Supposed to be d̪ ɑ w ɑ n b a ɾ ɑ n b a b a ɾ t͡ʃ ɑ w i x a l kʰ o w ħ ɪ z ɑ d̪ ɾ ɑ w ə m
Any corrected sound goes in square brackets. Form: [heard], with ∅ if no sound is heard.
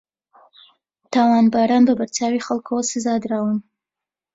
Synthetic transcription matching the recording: [t̪] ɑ w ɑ n b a ɾ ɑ n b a b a ɾ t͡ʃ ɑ w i x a l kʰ o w [s] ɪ z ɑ d̪ ɾ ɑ w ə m